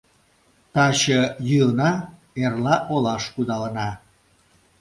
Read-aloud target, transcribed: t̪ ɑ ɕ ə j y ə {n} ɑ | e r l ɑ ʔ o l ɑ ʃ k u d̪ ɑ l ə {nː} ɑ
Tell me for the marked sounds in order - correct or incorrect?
correct, incorrect: n

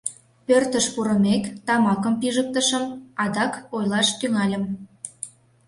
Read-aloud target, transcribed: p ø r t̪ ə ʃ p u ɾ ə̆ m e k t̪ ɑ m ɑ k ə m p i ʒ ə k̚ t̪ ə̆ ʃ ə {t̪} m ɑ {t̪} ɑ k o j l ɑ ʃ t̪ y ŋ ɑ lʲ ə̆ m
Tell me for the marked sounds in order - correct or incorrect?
incorrect: none, incorrect: d̪

